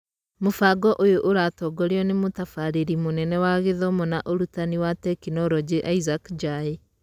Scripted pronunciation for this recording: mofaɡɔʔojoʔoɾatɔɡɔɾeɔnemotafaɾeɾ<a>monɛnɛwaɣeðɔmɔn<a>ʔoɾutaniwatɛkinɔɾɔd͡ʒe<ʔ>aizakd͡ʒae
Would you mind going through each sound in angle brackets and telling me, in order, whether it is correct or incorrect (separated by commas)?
incorrect, correct, correct